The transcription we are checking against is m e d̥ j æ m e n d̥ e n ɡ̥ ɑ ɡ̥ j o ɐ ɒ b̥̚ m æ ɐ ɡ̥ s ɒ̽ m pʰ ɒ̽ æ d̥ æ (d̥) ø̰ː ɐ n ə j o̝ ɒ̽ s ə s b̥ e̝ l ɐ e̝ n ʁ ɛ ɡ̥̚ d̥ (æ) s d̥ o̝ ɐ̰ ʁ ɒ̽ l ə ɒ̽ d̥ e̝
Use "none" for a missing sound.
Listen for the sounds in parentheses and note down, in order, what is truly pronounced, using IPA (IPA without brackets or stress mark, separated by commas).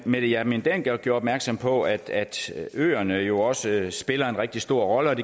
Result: d̥, i